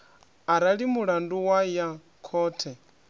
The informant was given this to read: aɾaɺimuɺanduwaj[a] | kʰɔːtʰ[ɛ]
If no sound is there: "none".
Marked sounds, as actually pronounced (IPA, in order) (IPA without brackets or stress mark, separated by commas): a, ɛ